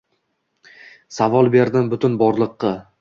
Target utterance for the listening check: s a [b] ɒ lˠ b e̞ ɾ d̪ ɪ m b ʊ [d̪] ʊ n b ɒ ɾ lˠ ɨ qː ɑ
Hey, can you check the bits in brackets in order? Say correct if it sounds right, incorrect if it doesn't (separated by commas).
incorrect, incorrect